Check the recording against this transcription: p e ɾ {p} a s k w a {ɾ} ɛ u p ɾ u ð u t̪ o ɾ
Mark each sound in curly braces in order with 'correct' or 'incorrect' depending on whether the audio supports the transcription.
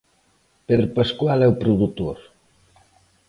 correct, incorrect: l

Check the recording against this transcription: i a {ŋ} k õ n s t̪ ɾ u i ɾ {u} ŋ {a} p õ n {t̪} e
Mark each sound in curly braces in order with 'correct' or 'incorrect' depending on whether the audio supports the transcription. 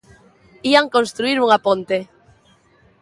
correct, correct, correct, correct

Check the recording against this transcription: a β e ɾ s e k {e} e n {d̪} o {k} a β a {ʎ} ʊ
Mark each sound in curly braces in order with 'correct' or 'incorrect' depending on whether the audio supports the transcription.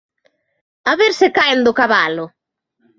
incorrect: a, correct, correct, incorrect: l

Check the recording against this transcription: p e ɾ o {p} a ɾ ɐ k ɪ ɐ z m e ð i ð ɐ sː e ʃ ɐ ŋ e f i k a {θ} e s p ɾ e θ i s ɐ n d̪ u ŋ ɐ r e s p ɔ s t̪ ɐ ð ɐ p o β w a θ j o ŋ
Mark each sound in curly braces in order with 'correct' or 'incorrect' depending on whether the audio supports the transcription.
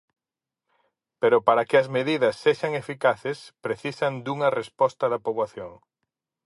correct, correct

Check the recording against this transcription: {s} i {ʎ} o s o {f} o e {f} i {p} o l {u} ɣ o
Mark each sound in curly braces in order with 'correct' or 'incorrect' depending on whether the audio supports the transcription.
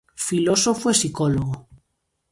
incorrect: f, incorrect: l, correct, incorrect: s, incorrect: k, incorrect: o

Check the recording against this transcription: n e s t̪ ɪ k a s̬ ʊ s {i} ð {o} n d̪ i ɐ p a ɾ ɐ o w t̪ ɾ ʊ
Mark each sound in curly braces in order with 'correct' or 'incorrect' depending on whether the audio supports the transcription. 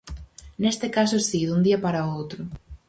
correct, incorrect: u

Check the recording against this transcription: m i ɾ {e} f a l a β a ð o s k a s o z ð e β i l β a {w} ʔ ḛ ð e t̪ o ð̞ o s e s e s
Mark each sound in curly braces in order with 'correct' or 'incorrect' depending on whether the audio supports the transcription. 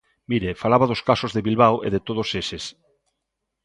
correct, correct

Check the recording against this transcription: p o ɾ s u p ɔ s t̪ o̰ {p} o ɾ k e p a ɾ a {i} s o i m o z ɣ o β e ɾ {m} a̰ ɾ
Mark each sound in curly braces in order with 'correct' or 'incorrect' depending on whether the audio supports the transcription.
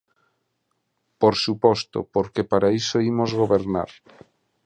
correct, correct, incorrect: n

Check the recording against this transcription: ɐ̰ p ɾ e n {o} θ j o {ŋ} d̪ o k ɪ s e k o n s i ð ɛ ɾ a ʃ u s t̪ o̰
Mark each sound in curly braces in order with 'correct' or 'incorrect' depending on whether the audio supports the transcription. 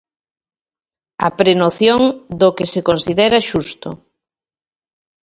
correct, correct

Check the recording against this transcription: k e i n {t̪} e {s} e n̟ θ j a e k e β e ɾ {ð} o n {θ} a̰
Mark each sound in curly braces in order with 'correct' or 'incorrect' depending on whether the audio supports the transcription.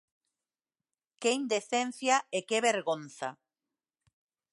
incorrect: d̪, incorrect: θ, incorrect: ɣ, correct

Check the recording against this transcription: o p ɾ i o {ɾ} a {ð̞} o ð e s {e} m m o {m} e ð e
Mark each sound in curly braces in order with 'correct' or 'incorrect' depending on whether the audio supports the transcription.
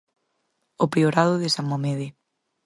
correct, correct, incorrect: a, correct

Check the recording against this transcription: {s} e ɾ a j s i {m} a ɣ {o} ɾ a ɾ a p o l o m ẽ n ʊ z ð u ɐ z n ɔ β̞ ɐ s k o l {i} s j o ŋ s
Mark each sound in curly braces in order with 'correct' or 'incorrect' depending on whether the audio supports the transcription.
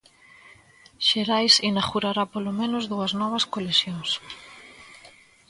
incorrect: ʃ, incorrect: n, incorrect: u, incorrect: e

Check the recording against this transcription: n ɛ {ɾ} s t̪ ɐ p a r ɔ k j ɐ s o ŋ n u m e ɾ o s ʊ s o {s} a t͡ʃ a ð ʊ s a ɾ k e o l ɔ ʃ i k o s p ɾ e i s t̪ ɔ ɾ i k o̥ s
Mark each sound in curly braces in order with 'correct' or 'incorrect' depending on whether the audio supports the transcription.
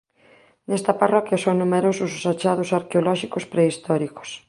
incorrect: none, correct

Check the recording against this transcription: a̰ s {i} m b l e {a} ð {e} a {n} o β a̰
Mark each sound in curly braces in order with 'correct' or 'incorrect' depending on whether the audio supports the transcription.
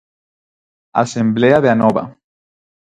incorrect: e, correct, correct, correct

